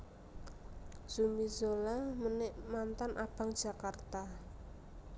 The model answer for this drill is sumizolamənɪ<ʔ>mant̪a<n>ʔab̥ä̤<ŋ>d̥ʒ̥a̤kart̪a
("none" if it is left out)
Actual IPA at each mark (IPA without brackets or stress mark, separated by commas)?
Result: ʔ, n, ŋ